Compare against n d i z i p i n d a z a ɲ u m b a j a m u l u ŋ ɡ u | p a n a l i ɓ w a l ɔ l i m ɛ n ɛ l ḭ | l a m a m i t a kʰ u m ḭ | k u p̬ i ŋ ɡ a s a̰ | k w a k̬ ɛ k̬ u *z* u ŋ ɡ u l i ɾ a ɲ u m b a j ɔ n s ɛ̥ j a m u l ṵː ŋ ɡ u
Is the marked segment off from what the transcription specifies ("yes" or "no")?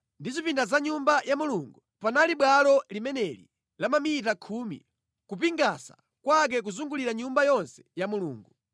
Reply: no